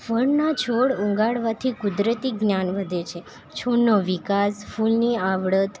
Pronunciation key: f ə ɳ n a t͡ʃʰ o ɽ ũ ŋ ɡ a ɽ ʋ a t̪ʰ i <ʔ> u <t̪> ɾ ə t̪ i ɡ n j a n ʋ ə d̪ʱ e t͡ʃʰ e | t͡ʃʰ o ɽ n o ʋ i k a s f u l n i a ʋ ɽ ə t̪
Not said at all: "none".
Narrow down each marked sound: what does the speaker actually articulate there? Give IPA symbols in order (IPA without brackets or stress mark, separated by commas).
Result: k, d̪